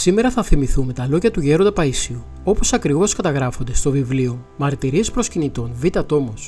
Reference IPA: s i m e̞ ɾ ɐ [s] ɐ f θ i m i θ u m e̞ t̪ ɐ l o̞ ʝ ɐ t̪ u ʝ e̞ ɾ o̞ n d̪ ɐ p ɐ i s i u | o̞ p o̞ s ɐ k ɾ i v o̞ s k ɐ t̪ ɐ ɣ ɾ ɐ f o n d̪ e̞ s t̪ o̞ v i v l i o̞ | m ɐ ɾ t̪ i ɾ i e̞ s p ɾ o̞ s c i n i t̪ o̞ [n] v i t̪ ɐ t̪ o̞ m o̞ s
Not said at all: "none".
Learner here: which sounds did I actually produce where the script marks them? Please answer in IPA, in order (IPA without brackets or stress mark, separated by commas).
θ, n